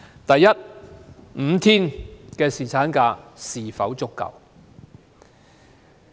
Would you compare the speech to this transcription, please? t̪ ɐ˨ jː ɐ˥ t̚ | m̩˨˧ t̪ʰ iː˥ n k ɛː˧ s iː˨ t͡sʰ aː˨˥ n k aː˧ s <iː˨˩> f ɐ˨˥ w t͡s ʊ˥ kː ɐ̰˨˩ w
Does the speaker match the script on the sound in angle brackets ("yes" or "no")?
yes